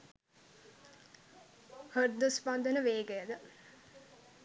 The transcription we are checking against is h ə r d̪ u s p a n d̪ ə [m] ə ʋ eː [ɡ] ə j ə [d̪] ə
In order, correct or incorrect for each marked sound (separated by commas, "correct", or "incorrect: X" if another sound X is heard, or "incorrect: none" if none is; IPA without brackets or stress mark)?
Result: incorrect: n, correct, correct